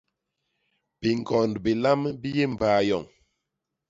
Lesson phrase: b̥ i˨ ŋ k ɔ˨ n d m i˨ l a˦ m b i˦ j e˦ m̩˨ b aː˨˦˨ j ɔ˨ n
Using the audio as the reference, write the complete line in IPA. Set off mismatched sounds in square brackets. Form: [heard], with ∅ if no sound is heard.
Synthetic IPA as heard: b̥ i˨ ŋ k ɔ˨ n d [b] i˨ l a˦ m b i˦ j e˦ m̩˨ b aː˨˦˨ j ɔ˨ [ŋ]

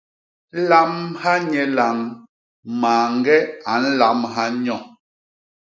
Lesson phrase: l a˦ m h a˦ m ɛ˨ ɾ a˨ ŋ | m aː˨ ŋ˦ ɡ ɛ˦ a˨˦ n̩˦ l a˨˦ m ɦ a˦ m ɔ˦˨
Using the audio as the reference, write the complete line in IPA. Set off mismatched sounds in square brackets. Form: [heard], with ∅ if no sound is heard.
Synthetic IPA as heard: l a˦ m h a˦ [ɲ] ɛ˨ [l] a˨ ŋ | m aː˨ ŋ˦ ɡ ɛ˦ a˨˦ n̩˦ l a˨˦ m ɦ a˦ [ɲ] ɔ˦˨

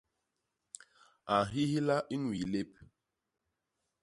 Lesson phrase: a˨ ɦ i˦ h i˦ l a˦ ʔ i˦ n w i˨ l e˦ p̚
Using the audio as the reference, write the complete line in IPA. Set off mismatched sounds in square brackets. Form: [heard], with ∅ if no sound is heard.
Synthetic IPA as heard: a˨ ɦ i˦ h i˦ l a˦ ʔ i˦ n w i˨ l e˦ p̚

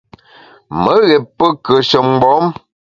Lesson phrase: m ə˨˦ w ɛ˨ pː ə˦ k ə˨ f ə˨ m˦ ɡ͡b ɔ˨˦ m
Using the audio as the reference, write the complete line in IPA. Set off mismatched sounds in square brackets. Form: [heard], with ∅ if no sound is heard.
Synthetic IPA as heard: m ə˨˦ [ɣ] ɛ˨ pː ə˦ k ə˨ [ʃ] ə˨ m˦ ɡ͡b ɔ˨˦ m

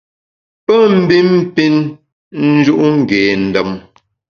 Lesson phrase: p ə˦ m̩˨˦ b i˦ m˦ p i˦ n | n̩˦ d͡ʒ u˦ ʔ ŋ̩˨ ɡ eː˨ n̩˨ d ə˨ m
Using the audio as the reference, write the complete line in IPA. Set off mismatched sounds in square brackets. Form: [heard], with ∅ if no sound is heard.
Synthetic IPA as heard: p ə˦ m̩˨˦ b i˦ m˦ p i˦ n | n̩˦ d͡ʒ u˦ ʔ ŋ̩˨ ɡ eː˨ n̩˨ d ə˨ m

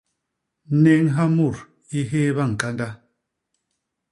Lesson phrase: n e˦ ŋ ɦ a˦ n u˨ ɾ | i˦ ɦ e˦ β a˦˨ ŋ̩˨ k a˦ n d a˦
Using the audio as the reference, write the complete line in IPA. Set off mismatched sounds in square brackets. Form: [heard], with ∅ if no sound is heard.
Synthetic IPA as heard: n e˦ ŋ ɦ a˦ [m] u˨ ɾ | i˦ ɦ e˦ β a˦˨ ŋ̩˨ k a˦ n d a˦

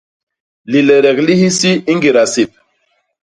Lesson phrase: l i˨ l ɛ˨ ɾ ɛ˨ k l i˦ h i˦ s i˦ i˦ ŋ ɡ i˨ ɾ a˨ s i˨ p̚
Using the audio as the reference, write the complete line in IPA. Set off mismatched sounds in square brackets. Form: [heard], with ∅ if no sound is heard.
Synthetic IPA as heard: l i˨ l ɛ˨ ɾ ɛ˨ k l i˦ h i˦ s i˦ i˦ ŋ ɡ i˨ ɾ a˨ s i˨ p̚

